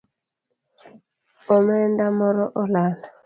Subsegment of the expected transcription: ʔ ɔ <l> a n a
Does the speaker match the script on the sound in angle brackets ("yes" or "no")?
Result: yes